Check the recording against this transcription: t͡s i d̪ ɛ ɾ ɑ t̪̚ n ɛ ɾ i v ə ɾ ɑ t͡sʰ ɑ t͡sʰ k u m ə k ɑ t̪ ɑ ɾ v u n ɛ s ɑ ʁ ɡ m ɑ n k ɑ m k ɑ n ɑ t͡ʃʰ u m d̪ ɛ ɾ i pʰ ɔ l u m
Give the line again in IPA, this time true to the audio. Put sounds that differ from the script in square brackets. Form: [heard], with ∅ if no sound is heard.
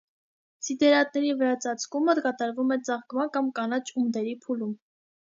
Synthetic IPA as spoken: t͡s i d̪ ɛ ɾ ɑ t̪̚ n ɛ ɾ i v ə ɾ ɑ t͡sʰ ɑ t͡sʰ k u m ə k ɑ t̪ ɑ ɾ v u [m] ɛ [t͡s] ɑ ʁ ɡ m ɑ n k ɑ m k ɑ n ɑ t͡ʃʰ u m d̪ ɛ ɾ i pʰ [u] l u m